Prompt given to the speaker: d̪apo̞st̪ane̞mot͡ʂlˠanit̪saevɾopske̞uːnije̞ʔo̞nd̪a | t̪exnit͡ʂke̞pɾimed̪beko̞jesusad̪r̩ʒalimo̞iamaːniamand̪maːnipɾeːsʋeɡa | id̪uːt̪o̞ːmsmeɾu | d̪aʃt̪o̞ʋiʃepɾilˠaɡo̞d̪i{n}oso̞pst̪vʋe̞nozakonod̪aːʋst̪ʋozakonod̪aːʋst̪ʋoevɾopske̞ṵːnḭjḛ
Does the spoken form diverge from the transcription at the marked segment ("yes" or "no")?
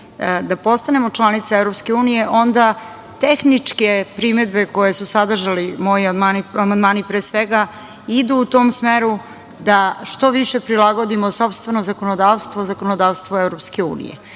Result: yes